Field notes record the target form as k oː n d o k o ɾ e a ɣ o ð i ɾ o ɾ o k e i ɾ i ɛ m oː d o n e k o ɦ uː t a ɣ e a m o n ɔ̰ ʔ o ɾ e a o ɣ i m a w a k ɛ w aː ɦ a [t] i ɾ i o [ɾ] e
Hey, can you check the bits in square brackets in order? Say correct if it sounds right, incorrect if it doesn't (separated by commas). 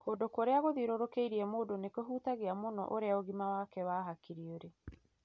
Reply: incorrect, correct